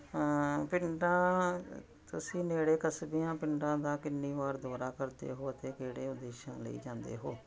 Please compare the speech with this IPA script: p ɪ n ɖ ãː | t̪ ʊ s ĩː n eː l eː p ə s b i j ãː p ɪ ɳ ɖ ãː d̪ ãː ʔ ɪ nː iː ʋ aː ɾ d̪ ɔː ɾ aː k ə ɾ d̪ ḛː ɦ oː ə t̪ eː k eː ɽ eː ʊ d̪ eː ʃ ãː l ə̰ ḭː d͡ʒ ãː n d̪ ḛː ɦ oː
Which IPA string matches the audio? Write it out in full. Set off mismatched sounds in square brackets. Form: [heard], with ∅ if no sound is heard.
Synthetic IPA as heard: p ɪ [ɳ] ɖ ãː | t̪ ʊ s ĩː n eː [ɽ] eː [k] ə s b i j ãː p ɪ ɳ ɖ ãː d̪ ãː [k] ɪ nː iː ʋ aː ɾ d̪ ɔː ɾ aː k ə ɾ d̪ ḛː ɦ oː ə t̪ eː k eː ɽ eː ʊ d̪ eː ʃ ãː l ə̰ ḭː d͡ʒ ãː n d̪ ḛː ɦ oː